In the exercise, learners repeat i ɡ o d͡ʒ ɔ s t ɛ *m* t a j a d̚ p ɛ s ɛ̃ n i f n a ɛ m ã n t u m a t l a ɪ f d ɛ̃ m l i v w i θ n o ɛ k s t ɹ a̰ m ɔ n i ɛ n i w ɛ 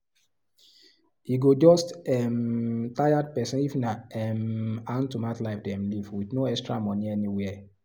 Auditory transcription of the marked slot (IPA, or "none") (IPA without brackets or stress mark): m